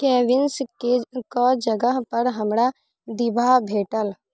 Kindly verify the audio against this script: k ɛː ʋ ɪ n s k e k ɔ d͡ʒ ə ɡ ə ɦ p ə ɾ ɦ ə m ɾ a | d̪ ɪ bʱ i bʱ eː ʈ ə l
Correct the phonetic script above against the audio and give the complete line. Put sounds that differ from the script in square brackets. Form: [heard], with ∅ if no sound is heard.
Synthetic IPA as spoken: k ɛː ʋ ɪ n s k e k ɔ d͡ʒ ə ɡ ə ɦ p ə ɾ ɦ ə m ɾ a | d̪ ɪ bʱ [a] bʱ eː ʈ ə l